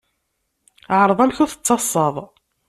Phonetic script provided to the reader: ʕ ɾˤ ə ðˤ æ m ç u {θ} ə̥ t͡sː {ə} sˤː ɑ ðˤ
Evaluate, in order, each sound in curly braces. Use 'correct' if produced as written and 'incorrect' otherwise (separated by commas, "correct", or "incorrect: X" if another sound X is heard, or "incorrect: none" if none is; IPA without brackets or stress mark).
correct, incorrect: ɑ